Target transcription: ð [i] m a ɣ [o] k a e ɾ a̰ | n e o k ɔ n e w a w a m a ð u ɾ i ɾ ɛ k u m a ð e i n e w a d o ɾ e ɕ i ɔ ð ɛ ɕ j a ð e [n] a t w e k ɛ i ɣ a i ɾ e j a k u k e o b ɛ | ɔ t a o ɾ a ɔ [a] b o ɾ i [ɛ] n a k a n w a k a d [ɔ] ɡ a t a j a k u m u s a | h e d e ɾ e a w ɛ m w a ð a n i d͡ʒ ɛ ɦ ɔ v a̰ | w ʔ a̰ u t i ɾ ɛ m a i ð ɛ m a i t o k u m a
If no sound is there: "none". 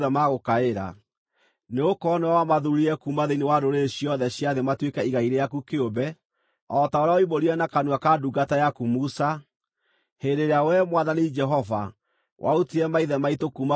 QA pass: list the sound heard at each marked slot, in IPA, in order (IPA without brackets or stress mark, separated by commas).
ɛ, o, m, i, ɛ, u